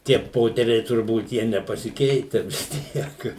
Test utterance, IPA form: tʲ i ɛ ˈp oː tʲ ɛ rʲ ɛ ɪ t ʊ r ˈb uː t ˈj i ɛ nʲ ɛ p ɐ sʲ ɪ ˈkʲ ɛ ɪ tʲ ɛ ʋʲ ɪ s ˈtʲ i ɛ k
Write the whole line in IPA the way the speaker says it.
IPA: tʲ i ɛ ˈp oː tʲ ɛ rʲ ɛ ɪ t ʊ r ˈb uː t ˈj i ɛ nʲ ɛ p ɐ sʲ ɪ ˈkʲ ɛ ɪ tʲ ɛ ʋʲ ɪ s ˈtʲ i ɛ k

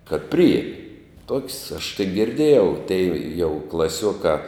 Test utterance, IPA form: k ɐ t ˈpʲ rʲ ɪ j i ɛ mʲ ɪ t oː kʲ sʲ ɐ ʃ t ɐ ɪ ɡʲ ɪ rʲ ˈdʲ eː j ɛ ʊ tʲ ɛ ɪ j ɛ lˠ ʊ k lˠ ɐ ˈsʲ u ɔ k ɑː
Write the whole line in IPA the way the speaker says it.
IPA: k ɐ t ˈpʲ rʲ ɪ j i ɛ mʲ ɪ t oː kʲ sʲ ɐ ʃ t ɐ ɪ ɡʲ ɪ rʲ ˈdʲ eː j ɛ ʊ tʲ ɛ ɪ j ɛ ʊ k lˠ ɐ ˈsʲ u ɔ k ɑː

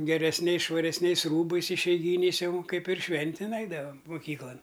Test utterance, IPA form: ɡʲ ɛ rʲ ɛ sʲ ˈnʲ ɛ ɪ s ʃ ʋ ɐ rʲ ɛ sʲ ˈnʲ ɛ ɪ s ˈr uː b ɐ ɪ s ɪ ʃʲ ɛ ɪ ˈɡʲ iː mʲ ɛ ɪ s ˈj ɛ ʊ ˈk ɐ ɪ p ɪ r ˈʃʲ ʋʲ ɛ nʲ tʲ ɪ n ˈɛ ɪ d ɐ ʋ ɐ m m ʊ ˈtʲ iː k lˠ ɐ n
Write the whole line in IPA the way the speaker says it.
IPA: ɡʲ ɛ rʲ ɛ sʲ ˈnʲ ɛ ɪ s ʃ ʋ ɐ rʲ ɛ sʲ ˈnʲ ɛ ɪ s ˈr uː b ɐ ɪ s ɪ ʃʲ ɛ ɪ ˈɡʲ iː nʲ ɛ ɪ s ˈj ɛ ʊ ˈk ɐ ɪ p ɪ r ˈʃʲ ʋʲ ɛ nʲ tʲ ɪ n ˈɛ ɪ d ɐ ʋ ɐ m m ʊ ˈkʲ iː k lˠ ɐ n

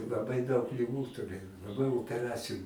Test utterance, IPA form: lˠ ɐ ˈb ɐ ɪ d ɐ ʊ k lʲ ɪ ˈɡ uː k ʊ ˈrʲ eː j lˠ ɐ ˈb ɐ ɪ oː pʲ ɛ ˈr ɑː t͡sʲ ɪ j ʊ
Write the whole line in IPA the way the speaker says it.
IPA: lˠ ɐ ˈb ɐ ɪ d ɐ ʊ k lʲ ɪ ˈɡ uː t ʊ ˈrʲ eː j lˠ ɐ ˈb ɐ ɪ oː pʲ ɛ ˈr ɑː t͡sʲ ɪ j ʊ

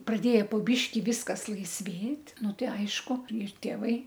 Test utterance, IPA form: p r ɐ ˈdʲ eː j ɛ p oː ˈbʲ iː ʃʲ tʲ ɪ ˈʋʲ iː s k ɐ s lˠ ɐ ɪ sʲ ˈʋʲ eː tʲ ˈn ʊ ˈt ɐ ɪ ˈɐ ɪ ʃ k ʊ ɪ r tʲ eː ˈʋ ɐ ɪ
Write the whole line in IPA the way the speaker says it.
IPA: p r ɐ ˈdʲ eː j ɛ p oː ˈbʲ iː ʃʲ kʲ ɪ ˈʋʲ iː s k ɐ s lˠ ɐ ɪ sʲ ˈʋʲ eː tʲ ˈn ʊ ˈt ɐ ɪ ˈɐ ɪ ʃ k ʊ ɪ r tʲ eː ˈʋ ɐ ɪ

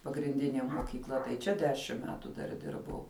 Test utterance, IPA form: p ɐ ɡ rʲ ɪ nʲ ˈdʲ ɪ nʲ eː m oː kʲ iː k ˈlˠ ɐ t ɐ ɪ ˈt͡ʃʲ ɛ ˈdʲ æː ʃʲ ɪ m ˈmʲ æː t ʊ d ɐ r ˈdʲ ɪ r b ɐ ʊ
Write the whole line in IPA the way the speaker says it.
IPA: p ɐ ɡ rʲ ɪ nʲ ˈdʲ ɪ nʲ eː m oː kʲ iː k ˈlˠ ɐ t ɐ ɪ ˈt͡ʃʲ ɛ ˈdʲ æː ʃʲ ɪ m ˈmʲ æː t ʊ d ɐ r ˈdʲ ɪ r b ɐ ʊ

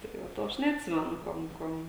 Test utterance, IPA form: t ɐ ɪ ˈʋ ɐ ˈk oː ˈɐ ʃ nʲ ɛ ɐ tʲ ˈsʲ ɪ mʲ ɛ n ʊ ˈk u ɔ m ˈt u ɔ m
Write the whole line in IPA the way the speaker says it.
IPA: t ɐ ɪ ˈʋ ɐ ˈt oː ˈɐ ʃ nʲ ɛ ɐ tʲ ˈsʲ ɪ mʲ ɛ n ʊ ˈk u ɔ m ˈk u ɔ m

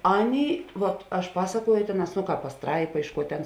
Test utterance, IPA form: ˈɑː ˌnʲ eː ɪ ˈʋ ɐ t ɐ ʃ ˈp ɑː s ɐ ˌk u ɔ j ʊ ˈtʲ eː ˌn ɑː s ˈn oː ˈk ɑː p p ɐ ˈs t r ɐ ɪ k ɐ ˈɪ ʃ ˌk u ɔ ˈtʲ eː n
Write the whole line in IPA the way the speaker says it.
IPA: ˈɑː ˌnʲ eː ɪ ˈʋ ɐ t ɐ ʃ ˈp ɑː s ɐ ˌk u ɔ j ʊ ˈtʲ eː ˌn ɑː s ˈn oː ˈk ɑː p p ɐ ˈs t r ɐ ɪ p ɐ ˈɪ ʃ ˌk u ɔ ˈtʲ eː n

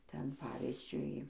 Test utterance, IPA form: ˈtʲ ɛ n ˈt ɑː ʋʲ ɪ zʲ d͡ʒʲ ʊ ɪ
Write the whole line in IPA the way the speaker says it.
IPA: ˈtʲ ɛ n ˈp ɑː ʋʲ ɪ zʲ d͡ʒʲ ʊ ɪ

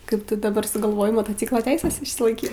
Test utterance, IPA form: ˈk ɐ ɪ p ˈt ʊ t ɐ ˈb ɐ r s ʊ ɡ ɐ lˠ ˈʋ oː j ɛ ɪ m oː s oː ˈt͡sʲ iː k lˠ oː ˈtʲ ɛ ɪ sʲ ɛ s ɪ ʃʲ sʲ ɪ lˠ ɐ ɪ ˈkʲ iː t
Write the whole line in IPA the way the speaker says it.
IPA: ˈk ɐ ɪ p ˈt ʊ d ɐ ˈb ɐ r s ʊ ɡ ɐ lˠ ˈʋ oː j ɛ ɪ m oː t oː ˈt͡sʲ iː k lˠ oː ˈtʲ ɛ ɪ sʲ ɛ s ɪ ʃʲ sʲ ɪ lˠ ɐ ɪ ˈkʲ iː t

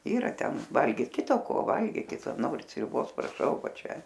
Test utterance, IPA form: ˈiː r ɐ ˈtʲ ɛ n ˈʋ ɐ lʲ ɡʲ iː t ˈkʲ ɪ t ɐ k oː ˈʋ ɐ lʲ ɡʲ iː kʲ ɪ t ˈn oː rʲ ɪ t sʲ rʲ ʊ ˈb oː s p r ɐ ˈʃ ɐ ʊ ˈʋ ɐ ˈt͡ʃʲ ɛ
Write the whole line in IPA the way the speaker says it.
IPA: ˈiː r ɐ ˈtʲ ɛ n ˈʋ ɐ lʲ ɡʲ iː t ˈkʲ ɪ t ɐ k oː ˈʋ ɐ lʲ ɡʲ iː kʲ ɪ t ˈn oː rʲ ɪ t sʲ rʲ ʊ ˈb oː s p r ɐ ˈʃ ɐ ʊ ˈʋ ɐ ˈt͡ʃʲ ɛ

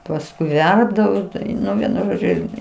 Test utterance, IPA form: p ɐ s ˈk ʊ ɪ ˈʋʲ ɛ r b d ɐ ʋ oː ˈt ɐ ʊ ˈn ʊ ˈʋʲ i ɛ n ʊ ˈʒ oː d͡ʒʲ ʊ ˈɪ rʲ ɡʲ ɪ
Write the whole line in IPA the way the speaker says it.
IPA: p ɐ s ˈk ʊ ɪ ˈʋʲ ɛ r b d ɐ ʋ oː ˈt ɐ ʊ ˈn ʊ ˈʋʲ i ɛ n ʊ ˈʒ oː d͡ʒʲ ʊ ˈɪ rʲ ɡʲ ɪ

